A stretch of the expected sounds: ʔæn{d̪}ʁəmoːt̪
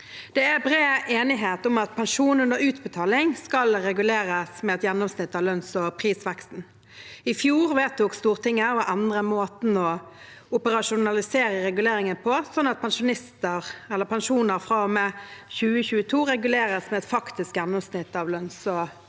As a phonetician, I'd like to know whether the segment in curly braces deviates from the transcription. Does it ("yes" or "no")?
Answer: no